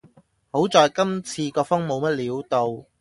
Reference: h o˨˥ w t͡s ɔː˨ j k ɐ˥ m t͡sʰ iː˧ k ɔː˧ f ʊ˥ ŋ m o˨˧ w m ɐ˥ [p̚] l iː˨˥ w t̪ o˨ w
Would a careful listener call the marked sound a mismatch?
yes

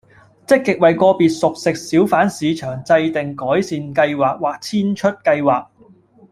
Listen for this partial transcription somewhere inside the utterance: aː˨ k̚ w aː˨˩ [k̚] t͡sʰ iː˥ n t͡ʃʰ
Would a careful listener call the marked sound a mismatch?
no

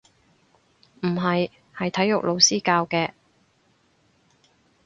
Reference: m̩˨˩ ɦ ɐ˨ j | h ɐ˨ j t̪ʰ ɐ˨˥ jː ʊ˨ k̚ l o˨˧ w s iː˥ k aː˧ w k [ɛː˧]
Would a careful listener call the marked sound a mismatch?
no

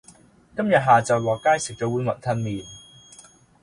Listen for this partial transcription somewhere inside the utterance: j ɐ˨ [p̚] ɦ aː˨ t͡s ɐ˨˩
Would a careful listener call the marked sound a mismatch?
yes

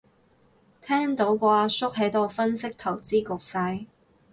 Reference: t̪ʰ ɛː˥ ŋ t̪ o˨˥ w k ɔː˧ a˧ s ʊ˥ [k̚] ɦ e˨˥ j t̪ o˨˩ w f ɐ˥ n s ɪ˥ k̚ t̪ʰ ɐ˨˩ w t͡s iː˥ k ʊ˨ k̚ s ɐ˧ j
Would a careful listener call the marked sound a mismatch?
no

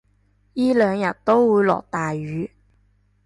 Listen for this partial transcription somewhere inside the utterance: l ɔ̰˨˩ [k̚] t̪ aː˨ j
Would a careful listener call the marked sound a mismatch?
no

